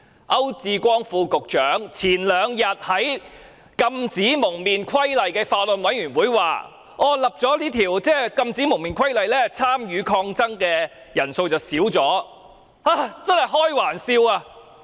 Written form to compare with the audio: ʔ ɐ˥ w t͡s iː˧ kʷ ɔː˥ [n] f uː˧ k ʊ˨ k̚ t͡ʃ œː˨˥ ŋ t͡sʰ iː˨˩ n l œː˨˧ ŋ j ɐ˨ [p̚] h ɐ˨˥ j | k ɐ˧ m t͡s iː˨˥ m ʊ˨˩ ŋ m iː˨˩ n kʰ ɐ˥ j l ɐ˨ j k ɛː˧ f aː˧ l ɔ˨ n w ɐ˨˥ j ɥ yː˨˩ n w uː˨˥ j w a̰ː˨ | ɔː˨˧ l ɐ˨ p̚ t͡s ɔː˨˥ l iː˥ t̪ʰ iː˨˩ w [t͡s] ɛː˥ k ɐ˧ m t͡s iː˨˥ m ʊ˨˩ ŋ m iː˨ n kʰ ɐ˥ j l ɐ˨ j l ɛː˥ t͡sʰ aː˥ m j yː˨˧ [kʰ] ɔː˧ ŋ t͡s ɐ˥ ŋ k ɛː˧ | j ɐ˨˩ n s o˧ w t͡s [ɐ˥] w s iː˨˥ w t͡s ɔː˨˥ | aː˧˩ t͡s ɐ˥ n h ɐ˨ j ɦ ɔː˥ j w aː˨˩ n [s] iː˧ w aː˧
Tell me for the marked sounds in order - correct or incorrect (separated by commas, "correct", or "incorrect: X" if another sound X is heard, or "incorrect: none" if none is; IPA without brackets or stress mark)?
incorrect: ŋ, incorrect: t̚, correct, correct, incorrect: ɐ˨˩, correct